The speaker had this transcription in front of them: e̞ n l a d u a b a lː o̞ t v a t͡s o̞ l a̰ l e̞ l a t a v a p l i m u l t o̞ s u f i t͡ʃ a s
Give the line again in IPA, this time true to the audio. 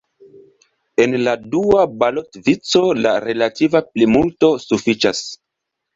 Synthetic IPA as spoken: e̞ n l a d u a b a l o̞ t v i t͡s o̞ l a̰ ɾ e̞ l a t i v a p l i m u l t o̞ s u f i t͡ʃ a s